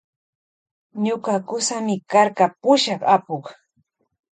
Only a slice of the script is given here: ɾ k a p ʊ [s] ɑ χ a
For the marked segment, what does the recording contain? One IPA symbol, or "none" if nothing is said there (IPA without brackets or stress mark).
ʃ